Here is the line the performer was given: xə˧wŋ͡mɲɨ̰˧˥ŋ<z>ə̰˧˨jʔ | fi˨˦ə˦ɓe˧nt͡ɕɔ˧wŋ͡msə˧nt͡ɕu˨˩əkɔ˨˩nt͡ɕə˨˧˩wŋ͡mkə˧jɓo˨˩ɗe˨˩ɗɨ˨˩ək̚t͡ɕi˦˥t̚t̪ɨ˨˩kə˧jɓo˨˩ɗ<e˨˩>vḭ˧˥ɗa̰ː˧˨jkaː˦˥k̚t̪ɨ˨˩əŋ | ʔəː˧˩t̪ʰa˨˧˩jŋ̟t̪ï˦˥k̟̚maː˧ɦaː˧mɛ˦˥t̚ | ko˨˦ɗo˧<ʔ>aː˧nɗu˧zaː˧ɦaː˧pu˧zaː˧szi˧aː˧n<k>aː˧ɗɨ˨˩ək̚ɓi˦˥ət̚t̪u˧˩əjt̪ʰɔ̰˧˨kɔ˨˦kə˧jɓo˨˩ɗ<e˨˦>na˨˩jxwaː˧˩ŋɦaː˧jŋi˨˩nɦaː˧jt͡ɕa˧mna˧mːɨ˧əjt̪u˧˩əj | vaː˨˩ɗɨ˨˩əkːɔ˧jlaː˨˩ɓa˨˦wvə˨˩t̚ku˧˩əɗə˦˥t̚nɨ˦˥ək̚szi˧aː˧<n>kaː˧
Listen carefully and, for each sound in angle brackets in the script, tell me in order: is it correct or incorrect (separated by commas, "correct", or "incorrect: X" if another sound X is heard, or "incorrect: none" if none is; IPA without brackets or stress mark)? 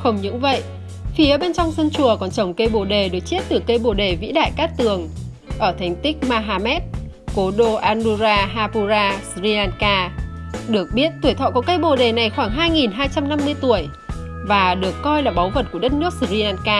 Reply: incorrect: v, correct, correct, correct, incorrect: e˨˩, correct